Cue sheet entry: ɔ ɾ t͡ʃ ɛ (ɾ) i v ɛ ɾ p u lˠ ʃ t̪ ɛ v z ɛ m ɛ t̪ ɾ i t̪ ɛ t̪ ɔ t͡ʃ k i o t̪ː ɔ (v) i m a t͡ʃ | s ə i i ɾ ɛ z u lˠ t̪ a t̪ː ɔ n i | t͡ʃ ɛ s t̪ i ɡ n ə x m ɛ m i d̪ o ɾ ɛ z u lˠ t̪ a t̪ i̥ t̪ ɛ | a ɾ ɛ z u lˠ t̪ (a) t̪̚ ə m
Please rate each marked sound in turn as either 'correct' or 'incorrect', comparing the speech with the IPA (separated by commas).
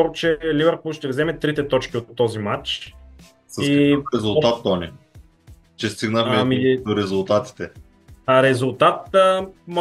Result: incorrect, incorrect, correct